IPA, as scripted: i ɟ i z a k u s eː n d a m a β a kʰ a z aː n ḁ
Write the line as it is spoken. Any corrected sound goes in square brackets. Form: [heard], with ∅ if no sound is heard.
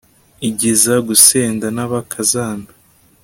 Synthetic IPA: i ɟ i z a [ɡ] u s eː n d a [n] a β a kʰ a z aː n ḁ